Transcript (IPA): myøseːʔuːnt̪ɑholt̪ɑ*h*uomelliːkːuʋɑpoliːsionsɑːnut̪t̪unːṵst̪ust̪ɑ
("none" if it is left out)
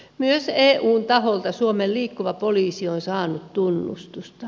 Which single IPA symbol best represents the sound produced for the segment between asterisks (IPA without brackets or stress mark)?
s